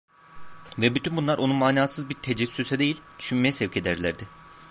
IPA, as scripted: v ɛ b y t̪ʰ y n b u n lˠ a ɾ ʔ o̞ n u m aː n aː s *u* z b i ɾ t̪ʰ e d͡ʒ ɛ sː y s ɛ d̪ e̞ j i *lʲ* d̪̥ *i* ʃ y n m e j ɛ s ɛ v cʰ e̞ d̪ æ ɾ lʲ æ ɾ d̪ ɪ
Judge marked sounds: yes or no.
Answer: no, yes, no

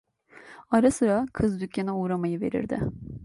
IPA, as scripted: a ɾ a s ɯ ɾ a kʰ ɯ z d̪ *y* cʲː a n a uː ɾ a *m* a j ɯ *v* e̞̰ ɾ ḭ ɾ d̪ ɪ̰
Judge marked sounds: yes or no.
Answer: yes, yes, yes

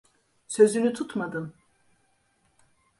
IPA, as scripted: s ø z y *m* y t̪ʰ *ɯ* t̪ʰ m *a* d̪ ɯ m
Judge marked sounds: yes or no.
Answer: no, no, yes

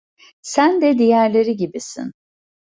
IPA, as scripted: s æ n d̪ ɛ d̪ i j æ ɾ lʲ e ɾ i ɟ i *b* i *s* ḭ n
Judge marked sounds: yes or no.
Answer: yes, yes

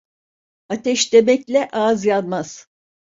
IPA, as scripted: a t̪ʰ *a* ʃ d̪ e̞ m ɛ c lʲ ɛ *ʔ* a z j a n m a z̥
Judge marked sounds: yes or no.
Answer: no, yes

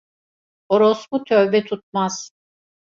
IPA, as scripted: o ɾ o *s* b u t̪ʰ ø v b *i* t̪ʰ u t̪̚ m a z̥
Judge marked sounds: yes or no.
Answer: yes, no

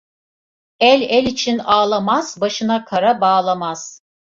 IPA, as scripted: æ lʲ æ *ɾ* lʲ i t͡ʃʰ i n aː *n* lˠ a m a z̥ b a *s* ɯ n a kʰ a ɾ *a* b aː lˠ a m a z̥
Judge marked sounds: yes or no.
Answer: no, no, no, yes

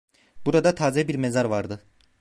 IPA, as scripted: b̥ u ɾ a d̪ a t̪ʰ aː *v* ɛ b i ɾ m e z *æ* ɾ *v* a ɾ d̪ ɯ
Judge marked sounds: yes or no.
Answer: no, no, yes

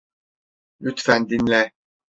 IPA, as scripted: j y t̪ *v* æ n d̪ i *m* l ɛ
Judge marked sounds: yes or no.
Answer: no, no

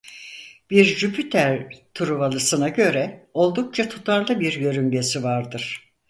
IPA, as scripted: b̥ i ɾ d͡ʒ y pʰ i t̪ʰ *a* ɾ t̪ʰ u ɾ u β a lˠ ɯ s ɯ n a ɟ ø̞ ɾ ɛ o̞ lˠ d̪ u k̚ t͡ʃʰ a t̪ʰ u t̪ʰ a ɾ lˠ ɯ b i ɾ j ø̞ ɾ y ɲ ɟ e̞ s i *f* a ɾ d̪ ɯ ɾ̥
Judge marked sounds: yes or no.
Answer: no, no

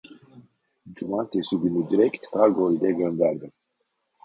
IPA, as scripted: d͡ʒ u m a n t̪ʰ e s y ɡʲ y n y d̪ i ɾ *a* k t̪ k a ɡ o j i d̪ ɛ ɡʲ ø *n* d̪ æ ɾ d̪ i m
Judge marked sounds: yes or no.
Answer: no, yes

